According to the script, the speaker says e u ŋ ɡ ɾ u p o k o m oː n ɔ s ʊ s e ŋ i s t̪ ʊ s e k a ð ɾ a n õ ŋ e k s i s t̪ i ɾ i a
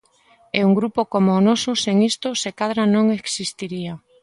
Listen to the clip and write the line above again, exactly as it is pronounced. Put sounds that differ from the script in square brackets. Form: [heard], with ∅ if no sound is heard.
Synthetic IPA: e u ŋ ɡ ɾ u p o k o m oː n ɔ s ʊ s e ŋ i s t̪ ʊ s e k a ð ɾ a n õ ŋ e k s i s t̪ i ɾ i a